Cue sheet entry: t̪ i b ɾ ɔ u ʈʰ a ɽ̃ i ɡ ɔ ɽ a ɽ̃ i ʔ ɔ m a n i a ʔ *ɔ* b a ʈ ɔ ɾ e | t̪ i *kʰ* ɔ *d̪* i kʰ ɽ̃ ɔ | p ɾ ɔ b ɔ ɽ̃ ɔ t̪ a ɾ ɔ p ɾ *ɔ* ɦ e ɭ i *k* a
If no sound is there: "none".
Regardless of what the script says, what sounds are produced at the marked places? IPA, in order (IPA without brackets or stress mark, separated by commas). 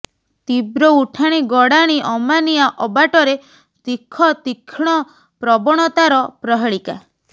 ɔ, kʰ, t̪, ɔ, k